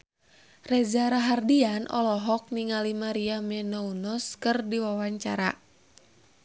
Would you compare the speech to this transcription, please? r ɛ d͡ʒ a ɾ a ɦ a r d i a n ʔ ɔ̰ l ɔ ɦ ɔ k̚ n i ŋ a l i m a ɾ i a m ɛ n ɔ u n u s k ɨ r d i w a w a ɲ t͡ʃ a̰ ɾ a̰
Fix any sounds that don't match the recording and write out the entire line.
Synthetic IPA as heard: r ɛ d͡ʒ a ɾ a ɦ a r d i a n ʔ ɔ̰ l ɔ ɦ ɔ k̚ n i ŋ a l i m a ɾ i a m ɛ n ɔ u n ɔ s k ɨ r d i w a w a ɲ t͡ʃ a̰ ɾ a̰